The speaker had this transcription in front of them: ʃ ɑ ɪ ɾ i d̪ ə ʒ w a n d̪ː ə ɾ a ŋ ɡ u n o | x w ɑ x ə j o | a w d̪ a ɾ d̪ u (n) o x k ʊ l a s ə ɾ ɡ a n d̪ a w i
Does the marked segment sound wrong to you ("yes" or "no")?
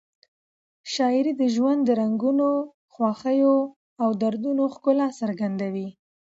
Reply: no